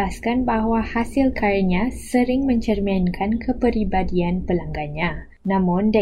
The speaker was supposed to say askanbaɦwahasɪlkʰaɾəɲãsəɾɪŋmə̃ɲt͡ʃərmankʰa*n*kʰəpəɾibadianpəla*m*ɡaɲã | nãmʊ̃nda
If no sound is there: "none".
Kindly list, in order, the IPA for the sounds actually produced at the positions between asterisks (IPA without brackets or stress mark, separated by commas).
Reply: n, ŋ